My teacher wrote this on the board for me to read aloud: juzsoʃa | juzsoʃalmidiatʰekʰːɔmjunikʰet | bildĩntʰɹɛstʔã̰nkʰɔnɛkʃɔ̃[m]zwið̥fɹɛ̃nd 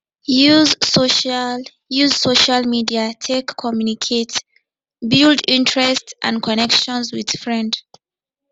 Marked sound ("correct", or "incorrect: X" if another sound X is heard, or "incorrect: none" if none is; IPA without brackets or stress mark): incorrect: n